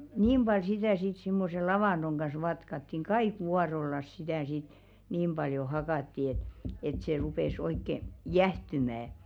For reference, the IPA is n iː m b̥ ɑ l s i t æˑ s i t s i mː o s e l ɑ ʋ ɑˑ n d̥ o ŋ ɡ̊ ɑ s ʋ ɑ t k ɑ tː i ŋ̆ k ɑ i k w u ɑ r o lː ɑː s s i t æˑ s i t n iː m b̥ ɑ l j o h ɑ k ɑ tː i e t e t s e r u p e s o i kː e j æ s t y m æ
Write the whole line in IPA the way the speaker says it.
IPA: n iː m b̥ ɑ l s i t æˑ s i t s i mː o s e l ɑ ʋ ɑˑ n d̥ o ŋ ɡ̊ ɑ s ʋ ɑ t k ɑ tː i ŋ̆ k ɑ i k w u ɑ r o lː ɑ s s i t æˑ s i t n iː m b̥ ɑ l j o h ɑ k ɑ tː i e t e t s e r u p e s o i kː e j æ h t y m æ